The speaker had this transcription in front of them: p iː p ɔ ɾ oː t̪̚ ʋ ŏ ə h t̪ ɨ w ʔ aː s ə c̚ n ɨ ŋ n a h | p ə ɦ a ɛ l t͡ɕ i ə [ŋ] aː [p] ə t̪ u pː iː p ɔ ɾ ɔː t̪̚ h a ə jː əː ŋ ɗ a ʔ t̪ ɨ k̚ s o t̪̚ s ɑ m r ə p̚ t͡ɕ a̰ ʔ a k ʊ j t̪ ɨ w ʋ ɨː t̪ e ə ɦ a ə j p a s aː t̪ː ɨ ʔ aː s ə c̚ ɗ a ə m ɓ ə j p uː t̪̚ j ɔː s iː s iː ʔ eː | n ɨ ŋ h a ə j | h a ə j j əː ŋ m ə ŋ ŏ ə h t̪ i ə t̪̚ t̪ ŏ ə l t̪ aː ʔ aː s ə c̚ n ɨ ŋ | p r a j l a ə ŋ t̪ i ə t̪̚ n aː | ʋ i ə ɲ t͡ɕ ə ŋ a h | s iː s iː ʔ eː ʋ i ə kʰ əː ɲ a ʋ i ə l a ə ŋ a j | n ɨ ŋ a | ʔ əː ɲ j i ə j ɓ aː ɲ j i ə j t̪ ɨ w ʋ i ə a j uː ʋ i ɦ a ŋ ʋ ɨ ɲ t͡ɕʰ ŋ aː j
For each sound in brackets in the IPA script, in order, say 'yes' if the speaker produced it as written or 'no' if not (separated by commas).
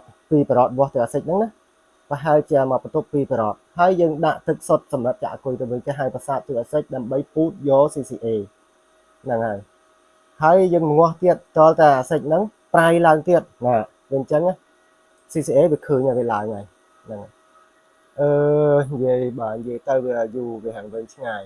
no, yes